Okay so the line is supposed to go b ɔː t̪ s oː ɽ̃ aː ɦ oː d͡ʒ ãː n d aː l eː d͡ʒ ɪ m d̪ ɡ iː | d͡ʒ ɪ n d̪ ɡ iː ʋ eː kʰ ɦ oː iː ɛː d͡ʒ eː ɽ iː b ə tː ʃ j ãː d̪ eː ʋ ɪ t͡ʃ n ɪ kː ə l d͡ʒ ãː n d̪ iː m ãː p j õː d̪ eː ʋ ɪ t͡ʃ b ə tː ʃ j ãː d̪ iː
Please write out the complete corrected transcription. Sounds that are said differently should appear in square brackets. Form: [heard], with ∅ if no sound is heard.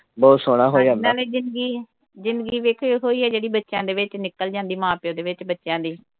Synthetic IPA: b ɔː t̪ s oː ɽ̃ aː ɦ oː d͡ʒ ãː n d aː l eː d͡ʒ ɪ [n] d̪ ɡ iː | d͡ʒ ɪ n d̪ ɡ iː ʋ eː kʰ ɦ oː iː ɛː d͡ʒ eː ɽ iː b ə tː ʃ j ãː d̪ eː ʋ ɪ t͡ʃ n ɪ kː ə l d͡ʒ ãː n d̪ iː m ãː p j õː d̪ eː ʋ ɪ t͡ʃ b ə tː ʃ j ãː d̪ iː